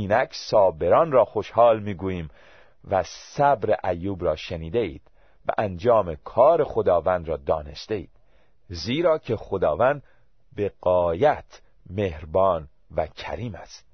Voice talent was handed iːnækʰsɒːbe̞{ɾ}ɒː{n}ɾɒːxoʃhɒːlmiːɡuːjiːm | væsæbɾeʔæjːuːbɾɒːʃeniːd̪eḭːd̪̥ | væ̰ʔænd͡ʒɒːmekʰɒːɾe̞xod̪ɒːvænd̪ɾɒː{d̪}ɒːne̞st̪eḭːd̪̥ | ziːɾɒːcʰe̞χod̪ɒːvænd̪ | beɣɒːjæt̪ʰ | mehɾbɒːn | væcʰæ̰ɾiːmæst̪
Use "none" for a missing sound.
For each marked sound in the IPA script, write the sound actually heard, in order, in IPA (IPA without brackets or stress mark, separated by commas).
ɾ, n, d̪